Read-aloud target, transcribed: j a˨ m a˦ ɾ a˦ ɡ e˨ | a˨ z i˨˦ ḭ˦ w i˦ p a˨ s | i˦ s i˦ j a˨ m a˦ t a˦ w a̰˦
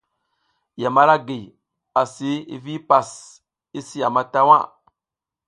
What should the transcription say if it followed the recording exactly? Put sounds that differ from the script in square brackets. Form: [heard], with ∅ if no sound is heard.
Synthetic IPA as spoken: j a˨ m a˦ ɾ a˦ ɡ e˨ | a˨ [s] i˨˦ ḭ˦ [v] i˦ p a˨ s | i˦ s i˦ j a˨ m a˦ t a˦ w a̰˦